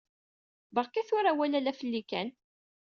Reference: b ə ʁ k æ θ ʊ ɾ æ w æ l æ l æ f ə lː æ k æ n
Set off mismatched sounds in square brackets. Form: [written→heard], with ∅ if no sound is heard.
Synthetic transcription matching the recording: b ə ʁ k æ θ ʊ ɾ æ w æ l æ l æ f ə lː [æ→i] k æ n